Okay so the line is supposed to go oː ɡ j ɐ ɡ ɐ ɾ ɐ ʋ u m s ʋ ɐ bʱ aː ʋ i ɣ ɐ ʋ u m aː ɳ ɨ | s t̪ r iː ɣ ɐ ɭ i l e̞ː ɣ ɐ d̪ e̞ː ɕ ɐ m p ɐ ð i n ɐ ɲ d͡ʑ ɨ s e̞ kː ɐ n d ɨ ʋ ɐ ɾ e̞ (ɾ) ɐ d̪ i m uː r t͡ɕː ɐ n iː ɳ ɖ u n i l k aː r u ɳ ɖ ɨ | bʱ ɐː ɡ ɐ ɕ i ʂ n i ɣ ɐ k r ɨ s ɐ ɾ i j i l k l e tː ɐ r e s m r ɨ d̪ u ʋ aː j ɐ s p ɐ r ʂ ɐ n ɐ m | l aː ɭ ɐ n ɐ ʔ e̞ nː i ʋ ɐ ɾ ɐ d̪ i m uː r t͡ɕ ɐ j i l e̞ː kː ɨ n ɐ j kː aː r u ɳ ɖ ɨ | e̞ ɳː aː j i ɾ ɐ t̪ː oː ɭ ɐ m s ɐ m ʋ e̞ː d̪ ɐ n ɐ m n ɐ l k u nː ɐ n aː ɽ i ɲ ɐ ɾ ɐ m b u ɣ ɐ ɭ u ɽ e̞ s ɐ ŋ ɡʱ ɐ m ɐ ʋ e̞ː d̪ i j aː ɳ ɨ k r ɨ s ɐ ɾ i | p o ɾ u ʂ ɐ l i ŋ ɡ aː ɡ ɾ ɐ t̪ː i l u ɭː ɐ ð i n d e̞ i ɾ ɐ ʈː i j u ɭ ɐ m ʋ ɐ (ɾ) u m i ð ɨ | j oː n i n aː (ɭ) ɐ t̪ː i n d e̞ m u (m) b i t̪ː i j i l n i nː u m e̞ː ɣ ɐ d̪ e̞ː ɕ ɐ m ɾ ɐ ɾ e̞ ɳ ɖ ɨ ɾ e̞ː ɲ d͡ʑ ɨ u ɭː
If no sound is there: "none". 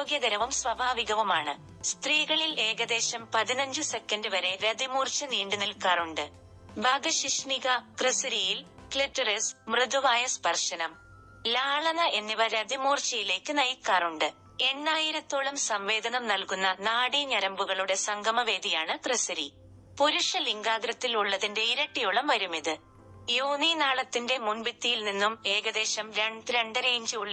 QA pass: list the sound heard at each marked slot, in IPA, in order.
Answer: ɾ, ɾ, ɭ, n

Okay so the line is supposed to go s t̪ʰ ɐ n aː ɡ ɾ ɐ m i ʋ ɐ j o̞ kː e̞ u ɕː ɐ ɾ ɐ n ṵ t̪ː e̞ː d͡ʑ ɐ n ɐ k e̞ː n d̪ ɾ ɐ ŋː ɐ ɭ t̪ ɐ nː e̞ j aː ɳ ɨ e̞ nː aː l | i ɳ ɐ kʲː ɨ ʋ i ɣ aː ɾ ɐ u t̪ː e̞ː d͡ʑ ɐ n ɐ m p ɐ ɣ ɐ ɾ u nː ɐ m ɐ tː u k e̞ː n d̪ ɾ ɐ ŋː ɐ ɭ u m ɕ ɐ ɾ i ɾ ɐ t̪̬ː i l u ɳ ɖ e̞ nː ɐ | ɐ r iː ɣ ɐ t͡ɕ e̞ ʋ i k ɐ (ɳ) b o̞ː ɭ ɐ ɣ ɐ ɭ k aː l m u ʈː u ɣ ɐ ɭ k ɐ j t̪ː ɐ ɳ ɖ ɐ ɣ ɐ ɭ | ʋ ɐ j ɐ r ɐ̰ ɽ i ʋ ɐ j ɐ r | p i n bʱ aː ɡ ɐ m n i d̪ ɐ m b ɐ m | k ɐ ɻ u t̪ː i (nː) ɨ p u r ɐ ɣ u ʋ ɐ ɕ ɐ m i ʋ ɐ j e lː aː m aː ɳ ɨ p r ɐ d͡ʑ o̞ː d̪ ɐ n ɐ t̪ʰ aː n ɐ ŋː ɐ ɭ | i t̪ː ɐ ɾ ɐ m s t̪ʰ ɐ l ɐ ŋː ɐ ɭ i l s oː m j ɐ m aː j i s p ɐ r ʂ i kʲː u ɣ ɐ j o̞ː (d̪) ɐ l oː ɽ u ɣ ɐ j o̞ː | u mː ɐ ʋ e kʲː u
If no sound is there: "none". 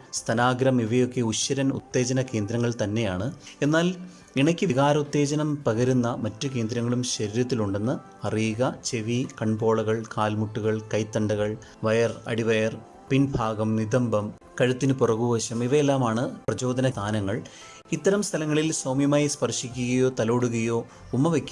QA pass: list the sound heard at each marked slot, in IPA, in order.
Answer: ɳ, n, t̪

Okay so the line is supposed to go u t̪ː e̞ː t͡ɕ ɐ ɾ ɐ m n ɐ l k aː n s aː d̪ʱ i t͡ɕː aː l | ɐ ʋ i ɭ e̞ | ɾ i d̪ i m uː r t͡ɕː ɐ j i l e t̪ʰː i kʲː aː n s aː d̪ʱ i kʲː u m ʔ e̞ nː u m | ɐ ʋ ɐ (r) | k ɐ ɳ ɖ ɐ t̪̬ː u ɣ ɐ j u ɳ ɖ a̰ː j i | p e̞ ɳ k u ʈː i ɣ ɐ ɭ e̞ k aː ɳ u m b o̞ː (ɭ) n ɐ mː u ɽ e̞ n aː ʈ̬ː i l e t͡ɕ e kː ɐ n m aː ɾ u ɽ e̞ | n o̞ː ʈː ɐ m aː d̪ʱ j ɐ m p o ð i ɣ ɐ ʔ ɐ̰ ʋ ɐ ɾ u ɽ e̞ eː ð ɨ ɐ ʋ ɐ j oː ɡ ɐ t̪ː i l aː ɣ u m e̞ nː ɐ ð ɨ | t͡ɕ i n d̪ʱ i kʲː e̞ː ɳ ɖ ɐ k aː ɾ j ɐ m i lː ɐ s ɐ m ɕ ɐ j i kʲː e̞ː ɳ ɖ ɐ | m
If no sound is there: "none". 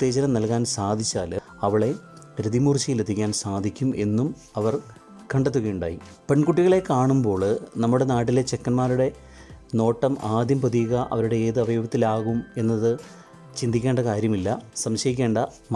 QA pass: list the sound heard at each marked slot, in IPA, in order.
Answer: r, ɭ

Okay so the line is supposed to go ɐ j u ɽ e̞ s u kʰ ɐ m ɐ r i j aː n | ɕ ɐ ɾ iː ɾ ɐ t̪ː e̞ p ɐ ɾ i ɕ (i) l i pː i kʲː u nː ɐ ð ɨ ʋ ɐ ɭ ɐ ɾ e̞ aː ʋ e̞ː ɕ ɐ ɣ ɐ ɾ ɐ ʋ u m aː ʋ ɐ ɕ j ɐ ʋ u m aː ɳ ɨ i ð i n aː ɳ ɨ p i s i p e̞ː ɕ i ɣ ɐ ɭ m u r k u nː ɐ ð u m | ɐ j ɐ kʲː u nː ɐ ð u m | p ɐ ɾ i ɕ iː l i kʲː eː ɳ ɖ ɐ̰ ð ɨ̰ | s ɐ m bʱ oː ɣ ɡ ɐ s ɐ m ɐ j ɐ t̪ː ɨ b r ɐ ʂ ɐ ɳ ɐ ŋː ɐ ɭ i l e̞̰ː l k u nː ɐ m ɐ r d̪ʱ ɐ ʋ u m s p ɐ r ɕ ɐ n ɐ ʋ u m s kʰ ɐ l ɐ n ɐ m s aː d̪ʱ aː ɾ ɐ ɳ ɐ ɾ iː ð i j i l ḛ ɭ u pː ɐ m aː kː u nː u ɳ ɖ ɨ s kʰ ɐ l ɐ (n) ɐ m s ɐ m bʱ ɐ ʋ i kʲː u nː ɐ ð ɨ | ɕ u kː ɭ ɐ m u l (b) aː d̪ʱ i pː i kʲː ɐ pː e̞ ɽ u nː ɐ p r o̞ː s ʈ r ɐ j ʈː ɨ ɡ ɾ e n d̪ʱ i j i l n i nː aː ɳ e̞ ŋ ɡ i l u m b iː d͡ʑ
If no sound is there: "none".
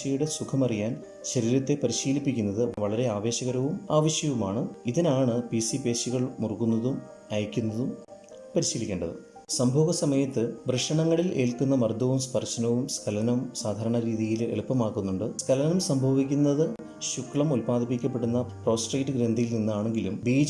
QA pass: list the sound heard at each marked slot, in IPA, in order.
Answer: iː, n, p

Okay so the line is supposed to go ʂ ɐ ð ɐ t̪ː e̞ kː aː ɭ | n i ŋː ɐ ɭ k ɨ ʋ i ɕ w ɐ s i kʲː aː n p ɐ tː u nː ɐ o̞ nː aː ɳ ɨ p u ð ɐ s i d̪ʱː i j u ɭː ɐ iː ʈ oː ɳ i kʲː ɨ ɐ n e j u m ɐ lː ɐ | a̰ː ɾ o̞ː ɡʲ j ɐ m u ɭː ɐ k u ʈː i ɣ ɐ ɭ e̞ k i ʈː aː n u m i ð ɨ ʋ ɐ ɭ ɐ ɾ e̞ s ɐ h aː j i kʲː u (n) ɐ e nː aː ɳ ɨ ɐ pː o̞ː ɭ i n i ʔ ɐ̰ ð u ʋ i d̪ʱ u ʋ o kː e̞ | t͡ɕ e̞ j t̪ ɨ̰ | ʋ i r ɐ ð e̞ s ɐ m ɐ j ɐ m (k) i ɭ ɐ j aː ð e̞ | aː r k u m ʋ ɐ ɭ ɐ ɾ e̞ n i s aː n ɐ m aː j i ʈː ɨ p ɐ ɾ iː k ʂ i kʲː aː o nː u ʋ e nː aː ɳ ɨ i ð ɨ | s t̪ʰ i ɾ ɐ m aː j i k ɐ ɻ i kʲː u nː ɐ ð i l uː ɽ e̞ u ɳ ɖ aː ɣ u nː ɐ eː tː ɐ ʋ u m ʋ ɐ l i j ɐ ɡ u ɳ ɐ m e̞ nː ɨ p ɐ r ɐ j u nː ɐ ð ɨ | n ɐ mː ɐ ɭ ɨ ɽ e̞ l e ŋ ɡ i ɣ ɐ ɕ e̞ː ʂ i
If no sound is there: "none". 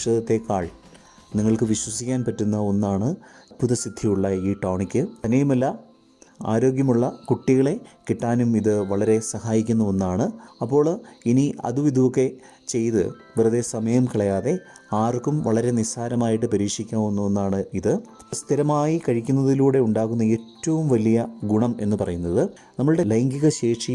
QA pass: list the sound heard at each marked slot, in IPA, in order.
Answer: nː, k

